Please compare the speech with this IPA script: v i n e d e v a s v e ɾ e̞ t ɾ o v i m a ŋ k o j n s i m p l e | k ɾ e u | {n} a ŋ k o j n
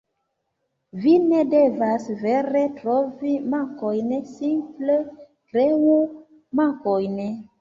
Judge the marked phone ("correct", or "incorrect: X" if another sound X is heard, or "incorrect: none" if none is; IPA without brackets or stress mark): incorrect: m